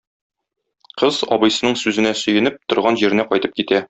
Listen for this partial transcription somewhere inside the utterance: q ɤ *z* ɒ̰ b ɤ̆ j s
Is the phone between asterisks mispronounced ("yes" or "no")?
no